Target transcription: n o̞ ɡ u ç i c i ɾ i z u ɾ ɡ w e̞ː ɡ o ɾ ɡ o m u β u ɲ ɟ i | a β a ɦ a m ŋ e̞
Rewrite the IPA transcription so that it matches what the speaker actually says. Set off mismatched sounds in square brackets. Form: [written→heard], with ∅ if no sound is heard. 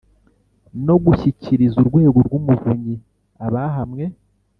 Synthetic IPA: n o̞ ɡ u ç i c i ɾ i z u ɾ ɡ w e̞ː ɡ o ɾ ɡ [o→u] m u [β→v] u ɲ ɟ i | a β a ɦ a m ŋ e̞